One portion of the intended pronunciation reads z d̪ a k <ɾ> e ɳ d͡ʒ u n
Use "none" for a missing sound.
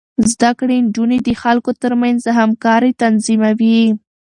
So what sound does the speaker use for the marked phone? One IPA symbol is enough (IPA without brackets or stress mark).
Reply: ɽ